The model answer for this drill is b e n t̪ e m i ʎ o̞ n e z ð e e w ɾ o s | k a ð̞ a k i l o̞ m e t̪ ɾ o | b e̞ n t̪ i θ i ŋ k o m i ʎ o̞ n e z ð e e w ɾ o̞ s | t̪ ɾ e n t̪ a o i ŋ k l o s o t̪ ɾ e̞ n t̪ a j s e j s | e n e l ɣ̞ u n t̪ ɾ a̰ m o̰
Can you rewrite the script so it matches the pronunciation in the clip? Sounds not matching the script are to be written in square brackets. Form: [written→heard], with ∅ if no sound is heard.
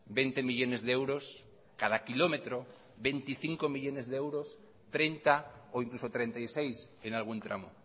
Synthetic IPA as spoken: b e n t̪ e m i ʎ o̞ n e z ð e e w ɾ o s | k a ð̞ a k i l o̞ m e t̪ ɾ o | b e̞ n t̪ i θ i ŋ k o m i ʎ o̞ n e z ð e e w ɾ o̞ s | t̪ ɾ e n t̪ a o i ŋ k l [o→u] s o t̪ ɾ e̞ n t̪ a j s e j s | e n [e→a] l ɣ̞ u n t̪ ɾ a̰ m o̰